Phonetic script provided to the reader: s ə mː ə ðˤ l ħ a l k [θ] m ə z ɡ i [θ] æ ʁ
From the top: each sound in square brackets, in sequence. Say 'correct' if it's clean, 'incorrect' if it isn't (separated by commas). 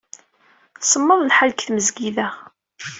correct, incorrect